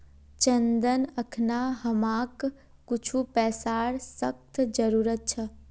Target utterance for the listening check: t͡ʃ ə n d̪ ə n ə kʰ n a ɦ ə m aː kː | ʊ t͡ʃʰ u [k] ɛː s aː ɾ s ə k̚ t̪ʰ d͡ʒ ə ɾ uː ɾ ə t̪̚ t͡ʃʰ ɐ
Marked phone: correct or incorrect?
incorrect: p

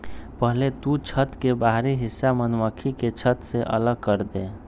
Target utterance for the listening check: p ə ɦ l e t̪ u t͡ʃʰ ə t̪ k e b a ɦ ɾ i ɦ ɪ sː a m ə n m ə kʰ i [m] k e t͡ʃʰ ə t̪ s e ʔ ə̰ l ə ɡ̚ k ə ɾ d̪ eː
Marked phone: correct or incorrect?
incorrect: none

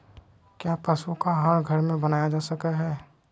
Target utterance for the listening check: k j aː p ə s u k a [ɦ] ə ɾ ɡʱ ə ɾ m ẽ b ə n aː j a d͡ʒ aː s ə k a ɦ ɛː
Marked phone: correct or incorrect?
correct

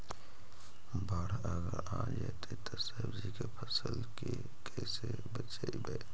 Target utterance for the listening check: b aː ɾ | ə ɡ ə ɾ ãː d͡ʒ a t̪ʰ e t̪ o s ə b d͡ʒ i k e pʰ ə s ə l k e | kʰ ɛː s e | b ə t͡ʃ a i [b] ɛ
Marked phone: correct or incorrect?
correct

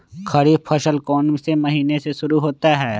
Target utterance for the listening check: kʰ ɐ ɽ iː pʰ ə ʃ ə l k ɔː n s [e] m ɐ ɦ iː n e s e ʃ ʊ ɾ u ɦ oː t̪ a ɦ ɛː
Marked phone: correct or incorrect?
correct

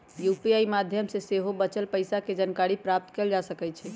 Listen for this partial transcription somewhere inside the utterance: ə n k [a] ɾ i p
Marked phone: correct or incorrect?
correct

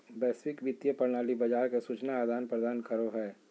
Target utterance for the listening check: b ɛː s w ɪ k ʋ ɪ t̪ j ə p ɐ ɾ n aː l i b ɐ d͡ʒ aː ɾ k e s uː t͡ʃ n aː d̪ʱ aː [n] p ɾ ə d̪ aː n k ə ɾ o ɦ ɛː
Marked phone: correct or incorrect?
correct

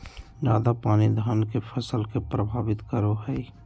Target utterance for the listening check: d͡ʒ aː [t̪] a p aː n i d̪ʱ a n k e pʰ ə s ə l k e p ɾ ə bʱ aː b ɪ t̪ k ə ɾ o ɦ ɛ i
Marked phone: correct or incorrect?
incorrect: d̪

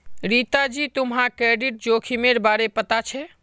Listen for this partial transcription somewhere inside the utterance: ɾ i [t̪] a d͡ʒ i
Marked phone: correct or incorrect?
correct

